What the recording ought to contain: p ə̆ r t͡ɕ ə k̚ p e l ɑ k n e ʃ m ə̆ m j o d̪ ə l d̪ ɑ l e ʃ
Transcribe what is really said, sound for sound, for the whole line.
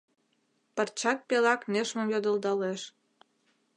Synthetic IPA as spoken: p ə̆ r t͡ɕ ɑ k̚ p e l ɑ k n e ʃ m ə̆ m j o d̪ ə l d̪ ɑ l e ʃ